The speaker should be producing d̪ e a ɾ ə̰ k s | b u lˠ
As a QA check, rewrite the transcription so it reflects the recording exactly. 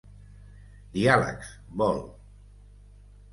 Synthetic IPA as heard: d̪ i a l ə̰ k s | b ɔ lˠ